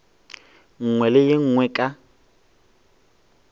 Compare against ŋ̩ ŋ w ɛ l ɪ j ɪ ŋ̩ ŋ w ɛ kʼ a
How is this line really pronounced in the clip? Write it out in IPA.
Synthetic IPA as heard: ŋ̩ ŋ w ɛ l ɪ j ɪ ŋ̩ ŋ w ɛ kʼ a